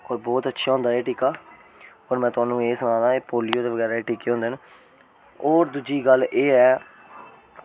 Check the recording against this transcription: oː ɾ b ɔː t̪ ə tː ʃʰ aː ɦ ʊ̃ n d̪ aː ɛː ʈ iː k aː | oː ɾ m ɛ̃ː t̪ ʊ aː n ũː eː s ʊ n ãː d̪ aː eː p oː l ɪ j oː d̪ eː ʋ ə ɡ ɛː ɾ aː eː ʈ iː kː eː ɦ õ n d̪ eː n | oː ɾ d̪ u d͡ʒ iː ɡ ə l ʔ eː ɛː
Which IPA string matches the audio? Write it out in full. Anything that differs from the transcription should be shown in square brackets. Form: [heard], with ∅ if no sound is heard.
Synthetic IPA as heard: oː ɾ b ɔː t̪ ə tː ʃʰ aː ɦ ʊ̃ n d̪ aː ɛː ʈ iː k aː | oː ɾ m ɛ̃ː t̪ ʊ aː n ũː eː s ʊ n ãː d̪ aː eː p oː l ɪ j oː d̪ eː ʋ ə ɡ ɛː ɾ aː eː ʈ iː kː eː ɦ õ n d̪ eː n | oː ɾ d̪ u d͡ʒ iː ɡ ə l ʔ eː ɛː

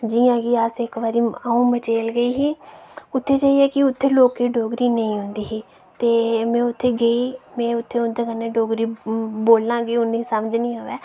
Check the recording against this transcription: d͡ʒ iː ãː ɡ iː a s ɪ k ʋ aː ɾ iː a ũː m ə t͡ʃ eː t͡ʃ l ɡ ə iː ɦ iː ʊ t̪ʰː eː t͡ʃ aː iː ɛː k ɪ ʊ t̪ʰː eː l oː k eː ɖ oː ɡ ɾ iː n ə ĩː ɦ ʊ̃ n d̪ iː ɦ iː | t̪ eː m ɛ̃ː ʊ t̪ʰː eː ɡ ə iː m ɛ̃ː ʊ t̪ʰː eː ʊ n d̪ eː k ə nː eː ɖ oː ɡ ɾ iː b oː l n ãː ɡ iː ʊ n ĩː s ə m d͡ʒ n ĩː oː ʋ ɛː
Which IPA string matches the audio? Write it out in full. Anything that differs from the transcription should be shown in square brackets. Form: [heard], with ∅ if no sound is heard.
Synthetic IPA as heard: d͡ʒ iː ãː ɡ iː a s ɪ k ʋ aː ɾ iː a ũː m ə t͡ʃ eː [∅] l ɡ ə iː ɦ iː ʊ t̪ʰː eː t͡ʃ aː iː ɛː k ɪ ʊ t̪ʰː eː l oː k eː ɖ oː ɡ ɾ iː n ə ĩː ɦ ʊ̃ n d̪ iː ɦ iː | t̪ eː m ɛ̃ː ʊ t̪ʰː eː ɡ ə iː m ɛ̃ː ʊ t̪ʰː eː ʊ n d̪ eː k ə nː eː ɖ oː ɡ ɾ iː b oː l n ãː ɡ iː ʊ n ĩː s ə m d͡ʒ n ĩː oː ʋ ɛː

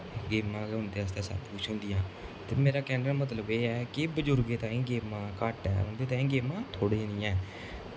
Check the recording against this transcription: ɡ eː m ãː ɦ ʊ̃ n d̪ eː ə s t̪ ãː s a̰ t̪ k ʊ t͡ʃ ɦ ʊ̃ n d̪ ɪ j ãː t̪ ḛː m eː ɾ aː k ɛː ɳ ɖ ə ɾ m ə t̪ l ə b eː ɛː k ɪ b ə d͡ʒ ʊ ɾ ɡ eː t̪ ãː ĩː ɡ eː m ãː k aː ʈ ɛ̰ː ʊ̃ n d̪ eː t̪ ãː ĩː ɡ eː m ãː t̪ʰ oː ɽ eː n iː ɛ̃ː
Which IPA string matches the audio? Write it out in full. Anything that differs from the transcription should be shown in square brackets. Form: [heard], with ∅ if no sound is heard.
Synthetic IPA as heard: ɡ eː m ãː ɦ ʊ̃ n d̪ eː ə s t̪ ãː s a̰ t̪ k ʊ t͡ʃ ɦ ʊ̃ n d̪ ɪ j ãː t̪ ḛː m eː ɾ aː k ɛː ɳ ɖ ə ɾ m ə t̪ l ə b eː ɛː k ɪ b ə d͡ʒ ʊ ɾ ɡ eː t̪ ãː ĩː ɡ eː m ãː k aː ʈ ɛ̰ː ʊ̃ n d̪ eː t̪ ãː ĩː ɡ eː m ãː t̪ʰ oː ɽ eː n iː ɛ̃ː

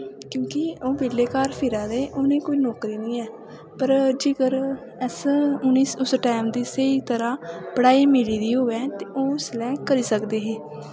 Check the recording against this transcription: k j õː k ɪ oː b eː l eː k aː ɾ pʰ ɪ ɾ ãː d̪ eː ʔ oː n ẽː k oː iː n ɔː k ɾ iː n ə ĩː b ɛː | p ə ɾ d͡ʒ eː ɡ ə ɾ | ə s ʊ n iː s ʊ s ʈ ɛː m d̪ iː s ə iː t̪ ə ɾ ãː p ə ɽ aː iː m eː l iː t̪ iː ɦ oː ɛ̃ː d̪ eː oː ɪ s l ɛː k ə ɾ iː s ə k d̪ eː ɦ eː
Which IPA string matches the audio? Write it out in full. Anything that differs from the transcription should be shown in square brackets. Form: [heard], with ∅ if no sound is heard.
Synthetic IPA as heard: k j õː k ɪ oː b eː l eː k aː ɾ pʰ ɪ ɾ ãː d̪ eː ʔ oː n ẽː k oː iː n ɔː k ɾ iː n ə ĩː [∅] ɛː | p ə ɾ d͡ʒ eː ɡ ə ɾ | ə s ʊ n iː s ʊ s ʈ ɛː m d̪ iː s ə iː t̪ ə ɾ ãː p ə ɽ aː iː m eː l iː [d̪] iː ɦ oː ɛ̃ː [t̪] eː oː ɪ s l ɛː k ə ɾ iː s ə k d̪ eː ɦ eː

